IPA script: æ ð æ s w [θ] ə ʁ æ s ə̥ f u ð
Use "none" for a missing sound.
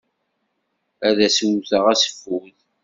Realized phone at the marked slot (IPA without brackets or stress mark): θ